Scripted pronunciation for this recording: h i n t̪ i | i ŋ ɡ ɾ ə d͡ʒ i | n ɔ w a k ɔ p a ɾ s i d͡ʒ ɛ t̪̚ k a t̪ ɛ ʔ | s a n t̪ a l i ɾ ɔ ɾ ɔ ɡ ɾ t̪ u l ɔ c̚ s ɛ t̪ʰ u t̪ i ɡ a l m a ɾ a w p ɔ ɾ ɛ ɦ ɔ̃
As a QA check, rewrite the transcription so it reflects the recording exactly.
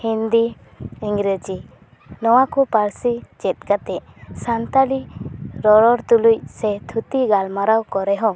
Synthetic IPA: h i n d̪ i | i ŋ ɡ ɾ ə d͡ʒ i | n ɔ w a k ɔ p a ɾ s i d͡ʒ ɛ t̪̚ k a t̪ ɛ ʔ | s a n t̪ a l i ɾ ɔ ɾ ɔ ɾ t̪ u l u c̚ s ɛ t̪ʰ u t̪ i ɡ a l m a ɾ a w k ɔ ɾ ɛ ɦ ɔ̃